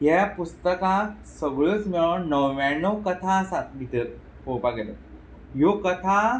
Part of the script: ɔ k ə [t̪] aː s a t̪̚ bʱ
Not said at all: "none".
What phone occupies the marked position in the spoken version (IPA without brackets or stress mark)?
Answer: t̪ʰ